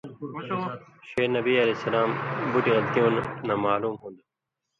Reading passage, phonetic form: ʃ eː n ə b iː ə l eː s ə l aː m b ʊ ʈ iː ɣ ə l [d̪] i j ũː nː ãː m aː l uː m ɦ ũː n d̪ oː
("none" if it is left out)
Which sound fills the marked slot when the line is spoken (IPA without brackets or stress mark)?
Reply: t̪